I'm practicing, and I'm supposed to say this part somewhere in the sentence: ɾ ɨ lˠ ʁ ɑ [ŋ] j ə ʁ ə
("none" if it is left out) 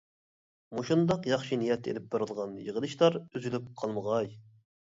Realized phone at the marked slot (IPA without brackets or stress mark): n